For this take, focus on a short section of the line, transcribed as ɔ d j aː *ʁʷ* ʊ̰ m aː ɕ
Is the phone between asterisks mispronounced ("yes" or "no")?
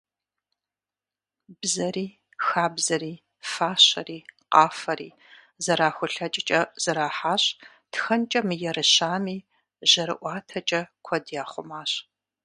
yes